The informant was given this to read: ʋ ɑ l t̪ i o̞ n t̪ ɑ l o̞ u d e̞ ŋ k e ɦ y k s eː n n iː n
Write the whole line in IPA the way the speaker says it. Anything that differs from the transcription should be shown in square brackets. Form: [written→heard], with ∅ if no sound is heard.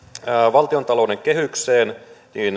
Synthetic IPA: ʋ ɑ l t̪ i o̞ n t̪ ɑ l o̞ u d e̞ ŋ k e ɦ y k s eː n n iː n